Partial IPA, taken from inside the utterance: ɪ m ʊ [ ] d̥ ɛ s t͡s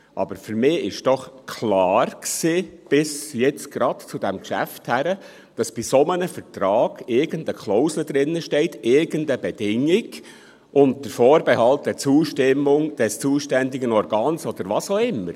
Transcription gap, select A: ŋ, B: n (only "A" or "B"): A